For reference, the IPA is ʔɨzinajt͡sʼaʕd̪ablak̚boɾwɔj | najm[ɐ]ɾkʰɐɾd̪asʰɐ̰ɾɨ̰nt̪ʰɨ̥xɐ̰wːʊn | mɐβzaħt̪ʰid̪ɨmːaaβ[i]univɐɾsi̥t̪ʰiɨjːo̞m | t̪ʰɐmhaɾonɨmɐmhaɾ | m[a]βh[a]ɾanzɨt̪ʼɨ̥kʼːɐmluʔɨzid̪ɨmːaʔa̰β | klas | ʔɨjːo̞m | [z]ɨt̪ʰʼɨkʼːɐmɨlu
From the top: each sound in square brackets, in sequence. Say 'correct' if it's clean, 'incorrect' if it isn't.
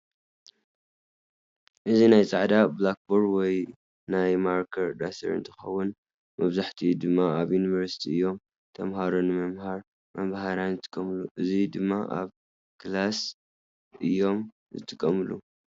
incorrect, incorrect, incorrect, correct, correct

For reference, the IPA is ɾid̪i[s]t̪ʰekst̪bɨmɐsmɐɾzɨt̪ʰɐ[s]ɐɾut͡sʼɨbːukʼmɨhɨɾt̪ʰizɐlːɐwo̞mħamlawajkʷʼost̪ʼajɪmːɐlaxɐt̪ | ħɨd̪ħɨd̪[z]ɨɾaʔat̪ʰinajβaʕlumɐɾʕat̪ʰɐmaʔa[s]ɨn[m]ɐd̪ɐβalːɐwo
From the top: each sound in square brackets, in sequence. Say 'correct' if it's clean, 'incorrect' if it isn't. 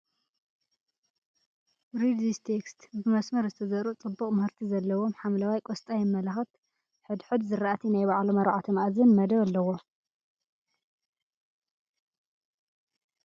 correct, incorrect, correct, incorrect, correct

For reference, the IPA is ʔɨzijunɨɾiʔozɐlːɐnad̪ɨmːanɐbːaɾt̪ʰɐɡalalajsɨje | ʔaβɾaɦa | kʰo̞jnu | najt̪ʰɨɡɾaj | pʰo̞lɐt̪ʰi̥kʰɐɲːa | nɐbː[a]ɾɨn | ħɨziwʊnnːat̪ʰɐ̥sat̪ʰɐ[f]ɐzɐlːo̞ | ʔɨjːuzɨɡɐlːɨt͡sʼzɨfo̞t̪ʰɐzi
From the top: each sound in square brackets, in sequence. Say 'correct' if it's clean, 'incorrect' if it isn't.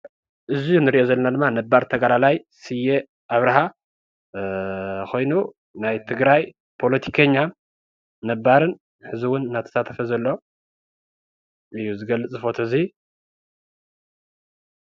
correct, correct

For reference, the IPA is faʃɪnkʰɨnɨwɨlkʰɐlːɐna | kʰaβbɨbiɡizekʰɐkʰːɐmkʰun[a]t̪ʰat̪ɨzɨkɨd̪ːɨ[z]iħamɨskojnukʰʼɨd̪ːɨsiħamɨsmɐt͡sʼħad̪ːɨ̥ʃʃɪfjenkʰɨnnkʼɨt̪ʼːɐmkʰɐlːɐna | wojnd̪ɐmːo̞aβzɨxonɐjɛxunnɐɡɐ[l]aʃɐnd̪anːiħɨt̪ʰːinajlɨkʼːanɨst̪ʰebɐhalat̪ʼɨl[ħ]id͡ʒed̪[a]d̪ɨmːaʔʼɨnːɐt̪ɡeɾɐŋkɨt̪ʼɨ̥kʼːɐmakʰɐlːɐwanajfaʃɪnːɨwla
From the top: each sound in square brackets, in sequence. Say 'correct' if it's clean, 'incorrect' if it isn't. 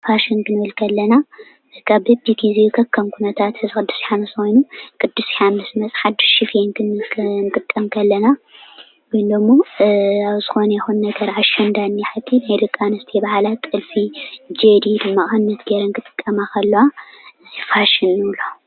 incorrect, incorrect, incorrect, incorrect, incorrect

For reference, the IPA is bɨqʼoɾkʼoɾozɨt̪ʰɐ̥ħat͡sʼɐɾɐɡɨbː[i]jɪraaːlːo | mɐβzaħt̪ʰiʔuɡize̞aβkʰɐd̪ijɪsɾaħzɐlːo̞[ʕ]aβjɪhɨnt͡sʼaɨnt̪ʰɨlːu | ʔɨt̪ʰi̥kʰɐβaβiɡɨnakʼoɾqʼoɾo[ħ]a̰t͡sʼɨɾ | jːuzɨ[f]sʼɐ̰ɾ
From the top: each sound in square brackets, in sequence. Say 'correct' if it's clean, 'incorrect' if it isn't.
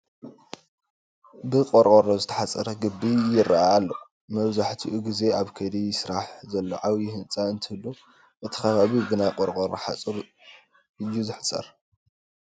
correct, correct, correct, incorrect

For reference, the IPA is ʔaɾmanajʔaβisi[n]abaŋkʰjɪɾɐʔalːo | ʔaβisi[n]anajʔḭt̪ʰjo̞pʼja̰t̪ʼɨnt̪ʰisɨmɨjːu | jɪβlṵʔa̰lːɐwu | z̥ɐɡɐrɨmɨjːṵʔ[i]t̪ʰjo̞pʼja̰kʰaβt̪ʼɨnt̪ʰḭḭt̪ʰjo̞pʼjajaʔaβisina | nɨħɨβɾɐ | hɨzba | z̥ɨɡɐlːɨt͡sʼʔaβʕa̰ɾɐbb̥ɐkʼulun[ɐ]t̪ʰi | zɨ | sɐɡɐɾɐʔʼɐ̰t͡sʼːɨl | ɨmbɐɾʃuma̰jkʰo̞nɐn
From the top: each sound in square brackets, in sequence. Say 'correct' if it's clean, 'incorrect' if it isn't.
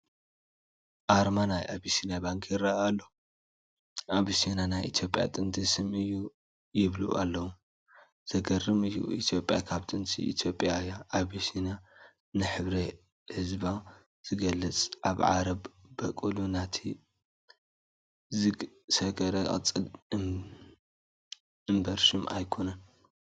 correct, correct, correct, incorrect

